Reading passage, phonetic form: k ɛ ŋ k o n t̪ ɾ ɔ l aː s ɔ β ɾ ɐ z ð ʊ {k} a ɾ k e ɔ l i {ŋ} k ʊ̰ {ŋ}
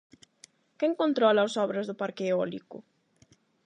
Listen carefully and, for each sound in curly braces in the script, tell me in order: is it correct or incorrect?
incorrect: p, incorrect: none, incorrect: none

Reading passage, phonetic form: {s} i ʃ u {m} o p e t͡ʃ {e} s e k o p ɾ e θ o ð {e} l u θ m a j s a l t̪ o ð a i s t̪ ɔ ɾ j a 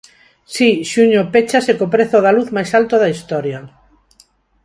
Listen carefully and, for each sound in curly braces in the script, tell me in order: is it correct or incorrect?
correct, incorrect: ɲ, incorrect: a, incorrect: a

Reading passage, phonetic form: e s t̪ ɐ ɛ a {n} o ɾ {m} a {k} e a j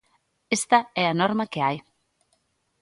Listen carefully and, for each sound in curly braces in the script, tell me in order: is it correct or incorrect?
correct, correct, correct

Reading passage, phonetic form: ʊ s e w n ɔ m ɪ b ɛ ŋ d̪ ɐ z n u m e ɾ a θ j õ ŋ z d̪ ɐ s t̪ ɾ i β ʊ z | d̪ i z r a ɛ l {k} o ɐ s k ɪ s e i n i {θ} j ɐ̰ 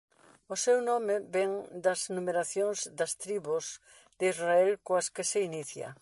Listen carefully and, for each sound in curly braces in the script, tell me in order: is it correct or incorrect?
correct, correct

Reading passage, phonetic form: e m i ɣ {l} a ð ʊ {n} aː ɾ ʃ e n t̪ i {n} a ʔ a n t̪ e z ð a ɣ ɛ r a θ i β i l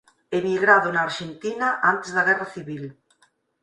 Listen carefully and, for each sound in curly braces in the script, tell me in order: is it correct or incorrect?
incorrect: ɾ, correct, correct

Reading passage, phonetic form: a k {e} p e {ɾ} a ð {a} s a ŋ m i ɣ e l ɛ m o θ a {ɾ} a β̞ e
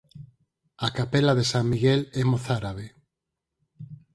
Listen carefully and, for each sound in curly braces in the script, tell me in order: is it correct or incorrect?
incorrect: a, incorrect: l, incorrect: e, correct

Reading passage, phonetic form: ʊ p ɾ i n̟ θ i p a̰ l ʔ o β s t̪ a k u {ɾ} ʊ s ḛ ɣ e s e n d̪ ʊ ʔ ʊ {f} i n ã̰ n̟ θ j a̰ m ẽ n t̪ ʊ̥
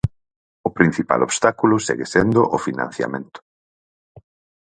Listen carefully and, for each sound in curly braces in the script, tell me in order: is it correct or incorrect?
incorrect: l, correct

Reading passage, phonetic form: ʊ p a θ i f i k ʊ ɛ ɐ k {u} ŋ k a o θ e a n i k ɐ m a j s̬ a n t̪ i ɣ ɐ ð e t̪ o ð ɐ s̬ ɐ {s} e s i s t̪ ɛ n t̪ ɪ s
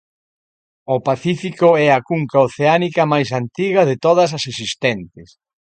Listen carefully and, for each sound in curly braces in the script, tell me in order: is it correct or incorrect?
correct, correct

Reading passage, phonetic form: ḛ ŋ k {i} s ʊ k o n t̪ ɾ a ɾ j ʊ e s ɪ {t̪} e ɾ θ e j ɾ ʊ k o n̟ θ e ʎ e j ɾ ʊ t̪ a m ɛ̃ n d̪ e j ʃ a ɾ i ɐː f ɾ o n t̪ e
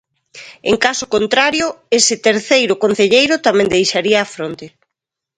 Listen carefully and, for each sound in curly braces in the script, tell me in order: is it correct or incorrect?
incorrect: a, correct

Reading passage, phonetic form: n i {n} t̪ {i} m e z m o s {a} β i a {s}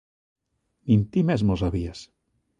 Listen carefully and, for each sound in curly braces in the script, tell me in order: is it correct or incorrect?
correct, correct, correct, correct

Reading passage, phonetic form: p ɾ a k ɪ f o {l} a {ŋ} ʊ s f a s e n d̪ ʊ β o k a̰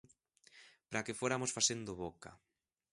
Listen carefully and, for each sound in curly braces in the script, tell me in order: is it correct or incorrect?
incorrect: ɾ, incorrect: m

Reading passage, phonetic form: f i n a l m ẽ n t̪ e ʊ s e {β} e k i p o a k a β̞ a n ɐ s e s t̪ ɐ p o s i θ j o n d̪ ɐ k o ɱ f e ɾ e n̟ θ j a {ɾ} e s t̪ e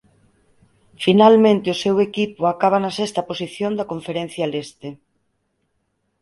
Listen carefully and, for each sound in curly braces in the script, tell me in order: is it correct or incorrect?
incorrect: w, incorrect: l

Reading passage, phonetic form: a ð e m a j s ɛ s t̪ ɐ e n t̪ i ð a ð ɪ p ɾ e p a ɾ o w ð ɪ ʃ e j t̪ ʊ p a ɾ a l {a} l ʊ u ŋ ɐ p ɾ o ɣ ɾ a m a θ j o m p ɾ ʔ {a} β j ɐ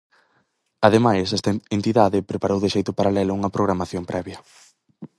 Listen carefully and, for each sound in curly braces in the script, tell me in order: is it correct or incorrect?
incorrect: ɛ, incorrect: ɛ

